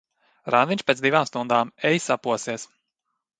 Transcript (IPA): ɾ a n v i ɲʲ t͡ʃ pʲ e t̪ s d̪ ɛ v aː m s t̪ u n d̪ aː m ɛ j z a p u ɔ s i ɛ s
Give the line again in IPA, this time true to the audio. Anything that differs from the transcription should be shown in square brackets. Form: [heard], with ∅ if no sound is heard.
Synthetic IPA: ɾ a n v i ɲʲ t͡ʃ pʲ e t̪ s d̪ [i] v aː m s t̪ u n d̪ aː m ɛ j [s] a p u ɔ s i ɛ s